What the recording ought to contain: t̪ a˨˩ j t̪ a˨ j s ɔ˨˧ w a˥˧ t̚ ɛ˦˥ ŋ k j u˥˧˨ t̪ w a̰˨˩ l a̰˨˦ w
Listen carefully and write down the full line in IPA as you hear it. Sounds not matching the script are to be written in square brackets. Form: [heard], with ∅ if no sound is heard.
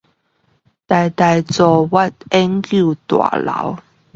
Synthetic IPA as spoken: t̪ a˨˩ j t̪ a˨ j [t͡s] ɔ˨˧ w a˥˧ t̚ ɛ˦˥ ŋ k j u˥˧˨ t̪ w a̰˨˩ l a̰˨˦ w